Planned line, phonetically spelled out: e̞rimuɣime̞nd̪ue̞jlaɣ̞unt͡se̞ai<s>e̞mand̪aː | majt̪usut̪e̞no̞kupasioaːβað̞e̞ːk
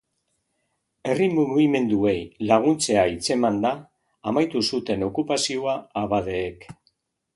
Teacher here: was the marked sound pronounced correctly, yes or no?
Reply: no